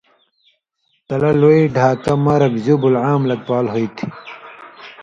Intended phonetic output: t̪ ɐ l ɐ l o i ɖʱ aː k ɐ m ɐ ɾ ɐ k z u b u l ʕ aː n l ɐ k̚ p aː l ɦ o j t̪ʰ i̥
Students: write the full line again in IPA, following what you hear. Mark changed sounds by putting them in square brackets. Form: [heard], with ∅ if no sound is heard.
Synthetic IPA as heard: t̪ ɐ l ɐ l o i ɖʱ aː k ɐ m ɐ ɾ ɐ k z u b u l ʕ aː [m] l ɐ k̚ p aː l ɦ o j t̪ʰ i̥